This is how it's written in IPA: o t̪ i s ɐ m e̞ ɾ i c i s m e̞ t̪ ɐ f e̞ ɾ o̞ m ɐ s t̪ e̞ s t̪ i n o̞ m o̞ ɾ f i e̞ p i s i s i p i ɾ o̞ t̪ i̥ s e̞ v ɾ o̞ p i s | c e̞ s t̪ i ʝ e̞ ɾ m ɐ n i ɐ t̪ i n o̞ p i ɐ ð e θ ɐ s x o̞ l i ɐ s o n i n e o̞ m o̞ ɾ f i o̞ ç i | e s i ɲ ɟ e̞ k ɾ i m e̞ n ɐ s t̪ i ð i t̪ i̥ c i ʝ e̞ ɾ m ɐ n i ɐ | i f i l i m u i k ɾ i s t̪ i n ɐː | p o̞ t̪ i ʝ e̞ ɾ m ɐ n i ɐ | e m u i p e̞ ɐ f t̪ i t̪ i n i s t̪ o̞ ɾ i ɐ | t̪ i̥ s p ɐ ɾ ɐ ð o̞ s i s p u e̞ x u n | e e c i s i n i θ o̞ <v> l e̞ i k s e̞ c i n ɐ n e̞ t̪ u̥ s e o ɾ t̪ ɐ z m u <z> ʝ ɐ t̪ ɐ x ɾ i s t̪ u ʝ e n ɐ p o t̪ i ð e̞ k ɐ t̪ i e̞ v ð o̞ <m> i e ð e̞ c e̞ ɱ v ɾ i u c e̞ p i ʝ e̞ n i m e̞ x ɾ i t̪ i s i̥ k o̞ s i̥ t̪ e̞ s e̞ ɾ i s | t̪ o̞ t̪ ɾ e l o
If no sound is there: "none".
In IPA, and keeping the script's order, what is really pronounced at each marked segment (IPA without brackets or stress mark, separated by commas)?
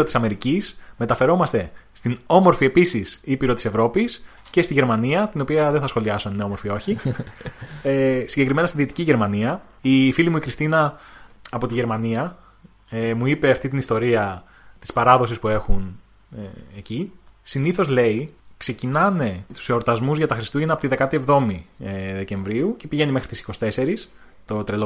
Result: z, z, m